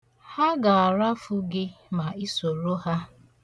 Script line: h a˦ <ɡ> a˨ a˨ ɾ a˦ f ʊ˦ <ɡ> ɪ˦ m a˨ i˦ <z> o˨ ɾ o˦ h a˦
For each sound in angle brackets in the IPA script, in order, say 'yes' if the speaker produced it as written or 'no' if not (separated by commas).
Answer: yes, yes, no